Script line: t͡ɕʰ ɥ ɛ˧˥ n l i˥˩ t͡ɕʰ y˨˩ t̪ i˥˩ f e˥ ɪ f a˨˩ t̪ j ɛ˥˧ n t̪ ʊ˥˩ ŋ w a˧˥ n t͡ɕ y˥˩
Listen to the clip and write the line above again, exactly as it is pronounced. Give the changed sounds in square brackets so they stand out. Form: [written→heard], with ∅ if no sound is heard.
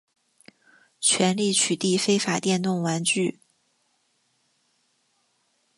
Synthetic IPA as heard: t͡ɕʰ ɥ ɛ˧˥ n l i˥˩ t͡ɕʰ y˨˩ t̪ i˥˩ f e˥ ɪ f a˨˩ t̪ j ɛ˥˧ n t̪ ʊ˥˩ ŋ w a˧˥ n t͡ɕ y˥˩